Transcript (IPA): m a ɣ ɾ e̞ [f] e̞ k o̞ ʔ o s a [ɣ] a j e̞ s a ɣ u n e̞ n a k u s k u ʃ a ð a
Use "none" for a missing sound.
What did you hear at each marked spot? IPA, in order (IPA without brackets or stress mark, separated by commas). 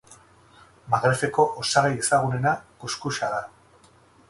f, ɣ